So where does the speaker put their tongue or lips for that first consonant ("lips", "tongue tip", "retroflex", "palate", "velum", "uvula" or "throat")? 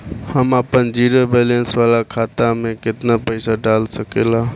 throat